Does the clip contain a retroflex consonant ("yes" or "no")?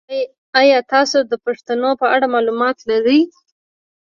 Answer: yes